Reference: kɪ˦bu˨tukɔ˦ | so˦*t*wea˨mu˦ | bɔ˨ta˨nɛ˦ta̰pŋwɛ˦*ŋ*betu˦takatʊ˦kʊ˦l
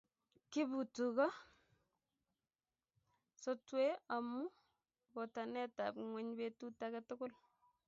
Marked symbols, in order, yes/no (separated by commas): yes, no